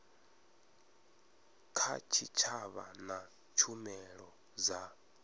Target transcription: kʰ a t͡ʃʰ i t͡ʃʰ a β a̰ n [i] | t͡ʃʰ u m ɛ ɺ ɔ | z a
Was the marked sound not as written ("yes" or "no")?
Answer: yes